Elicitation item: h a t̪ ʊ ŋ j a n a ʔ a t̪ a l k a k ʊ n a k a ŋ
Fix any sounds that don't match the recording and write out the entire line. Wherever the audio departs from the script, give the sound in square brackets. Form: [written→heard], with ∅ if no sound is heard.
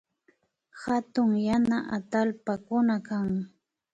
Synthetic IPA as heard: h a t̪ ʊ ŋ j a n a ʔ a t̪ a l [k→p] a k ʊ n a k a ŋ